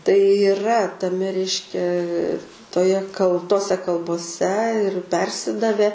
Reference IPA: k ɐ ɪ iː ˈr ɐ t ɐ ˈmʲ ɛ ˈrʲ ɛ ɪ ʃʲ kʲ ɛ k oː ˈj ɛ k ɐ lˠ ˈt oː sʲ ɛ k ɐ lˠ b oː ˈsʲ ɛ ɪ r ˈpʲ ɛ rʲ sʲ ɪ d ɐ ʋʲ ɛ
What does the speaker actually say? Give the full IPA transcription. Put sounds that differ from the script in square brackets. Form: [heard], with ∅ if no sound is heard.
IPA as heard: [t] ɐ ɪ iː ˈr ɐ t ɐ ˈmʲ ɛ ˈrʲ ɛ ɪ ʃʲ kʲ ɛ [t] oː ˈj ɛ k ɐ lˠ ˈt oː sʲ ɛ k ɐ lˠ b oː ˈsʲ ɛ ɪ r ˈpʲ ɛ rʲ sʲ ɪ d ɐ ʋʲ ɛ